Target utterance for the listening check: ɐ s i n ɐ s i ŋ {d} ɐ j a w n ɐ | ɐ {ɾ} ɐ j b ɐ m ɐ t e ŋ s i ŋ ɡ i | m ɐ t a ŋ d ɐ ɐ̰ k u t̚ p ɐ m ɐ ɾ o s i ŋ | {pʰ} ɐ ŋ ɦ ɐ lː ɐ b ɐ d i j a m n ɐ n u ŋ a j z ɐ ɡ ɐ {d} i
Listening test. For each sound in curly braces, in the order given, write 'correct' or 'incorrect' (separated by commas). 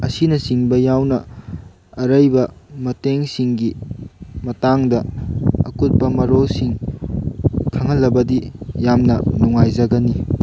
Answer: incorrect, correct, incorrect, incorrect